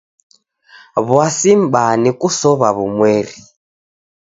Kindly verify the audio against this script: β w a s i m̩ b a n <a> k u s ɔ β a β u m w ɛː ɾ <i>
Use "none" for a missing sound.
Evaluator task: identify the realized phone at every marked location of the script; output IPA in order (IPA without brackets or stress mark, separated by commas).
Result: i, i